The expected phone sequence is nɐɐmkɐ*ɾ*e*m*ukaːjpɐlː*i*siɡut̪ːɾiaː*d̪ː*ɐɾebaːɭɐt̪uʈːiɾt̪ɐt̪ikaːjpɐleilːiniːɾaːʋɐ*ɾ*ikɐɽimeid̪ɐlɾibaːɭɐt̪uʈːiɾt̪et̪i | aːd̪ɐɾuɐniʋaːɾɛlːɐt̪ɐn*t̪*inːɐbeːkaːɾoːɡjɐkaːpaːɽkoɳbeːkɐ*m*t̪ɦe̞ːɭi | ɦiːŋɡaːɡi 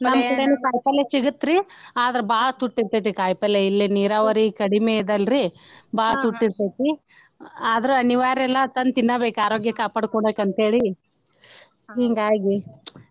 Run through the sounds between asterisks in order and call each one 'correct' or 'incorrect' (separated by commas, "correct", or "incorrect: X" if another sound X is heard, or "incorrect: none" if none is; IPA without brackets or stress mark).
incorrect: ɽ, incorrect: n, incorrect: e, incorrect: d̪, correct, correct, incorrect: n